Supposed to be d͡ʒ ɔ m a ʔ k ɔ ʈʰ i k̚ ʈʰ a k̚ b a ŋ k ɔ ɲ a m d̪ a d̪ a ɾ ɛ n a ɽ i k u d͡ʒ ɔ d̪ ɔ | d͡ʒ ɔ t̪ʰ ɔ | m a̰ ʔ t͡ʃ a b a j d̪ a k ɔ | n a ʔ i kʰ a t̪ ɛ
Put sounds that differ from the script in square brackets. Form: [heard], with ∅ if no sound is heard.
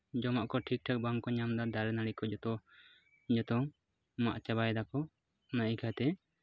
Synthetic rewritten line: d͡ʒ ɔ m a ʔ k ɔ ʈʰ i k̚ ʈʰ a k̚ b a ŋ k ɔ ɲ a m d̪ a d̪ a ɾ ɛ n a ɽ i k [ɔ] d͡ʒ ɔ [t̪] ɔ | d͡ʒ ɔ [t̪] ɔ | m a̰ ʔ t͡ʃ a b a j d̪ a k ɔ | n a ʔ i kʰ a t̪ ɛ